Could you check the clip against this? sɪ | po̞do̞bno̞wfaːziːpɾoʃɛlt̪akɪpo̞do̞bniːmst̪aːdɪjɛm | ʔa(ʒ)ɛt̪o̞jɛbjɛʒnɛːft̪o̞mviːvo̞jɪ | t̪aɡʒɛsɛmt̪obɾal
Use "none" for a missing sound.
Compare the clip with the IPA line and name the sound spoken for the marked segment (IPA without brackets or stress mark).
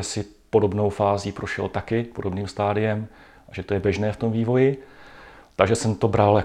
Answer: ʒ